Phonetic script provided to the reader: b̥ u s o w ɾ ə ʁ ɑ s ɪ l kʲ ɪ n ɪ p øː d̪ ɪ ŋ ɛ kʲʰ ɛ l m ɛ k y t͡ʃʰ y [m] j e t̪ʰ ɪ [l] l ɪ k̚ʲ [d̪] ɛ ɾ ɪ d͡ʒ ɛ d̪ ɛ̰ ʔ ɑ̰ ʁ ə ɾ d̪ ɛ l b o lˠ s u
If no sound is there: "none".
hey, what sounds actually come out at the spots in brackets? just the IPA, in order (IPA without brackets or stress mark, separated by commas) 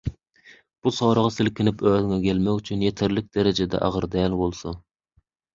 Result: n, ɾ, d̪